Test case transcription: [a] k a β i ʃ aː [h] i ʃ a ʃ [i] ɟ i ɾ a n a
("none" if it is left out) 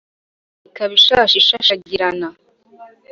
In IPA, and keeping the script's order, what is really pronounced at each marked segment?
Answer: i, ʃ, a

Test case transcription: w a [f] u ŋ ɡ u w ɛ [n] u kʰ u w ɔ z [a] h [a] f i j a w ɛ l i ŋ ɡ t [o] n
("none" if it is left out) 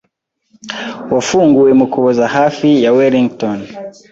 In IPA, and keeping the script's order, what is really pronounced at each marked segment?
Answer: f, m, a, a, ɔ

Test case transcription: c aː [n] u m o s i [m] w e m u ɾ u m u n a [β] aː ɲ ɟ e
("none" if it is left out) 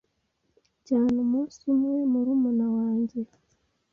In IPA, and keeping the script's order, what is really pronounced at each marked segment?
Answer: n, m, w

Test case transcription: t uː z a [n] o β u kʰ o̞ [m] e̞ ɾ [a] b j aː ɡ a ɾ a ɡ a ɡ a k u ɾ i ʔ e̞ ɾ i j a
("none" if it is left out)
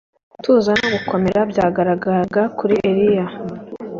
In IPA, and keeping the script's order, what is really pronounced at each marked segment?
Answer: n, m, a

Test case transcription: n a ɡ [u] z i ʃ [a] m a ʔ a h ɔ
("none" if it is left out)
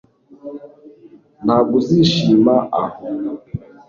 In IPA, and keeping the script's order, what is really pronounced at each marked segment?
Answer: u, i

